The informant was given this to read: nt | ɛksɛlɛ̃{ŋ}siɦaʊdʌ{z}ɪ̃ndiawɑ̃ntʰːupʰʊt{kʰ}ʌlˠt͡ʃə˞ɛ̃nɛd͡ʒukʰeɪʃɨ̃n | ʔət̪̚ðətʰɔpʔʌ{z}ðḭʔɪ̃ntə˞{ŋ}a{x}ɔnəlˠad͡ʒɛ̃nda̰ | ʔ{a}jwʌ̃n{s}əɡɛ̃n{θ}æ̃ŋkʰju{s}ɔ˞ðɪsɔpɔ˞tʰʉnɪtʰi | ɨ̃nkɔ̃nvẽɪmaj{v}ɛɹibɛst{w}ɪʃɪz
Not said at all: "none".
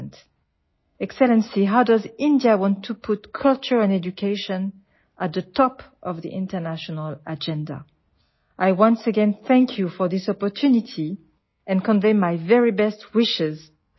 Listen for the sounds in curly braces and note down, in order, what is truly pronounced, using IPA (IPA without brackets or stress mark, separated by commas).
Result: n, z, kʰ, v, n, ʃ, a, s, θ, f, v, w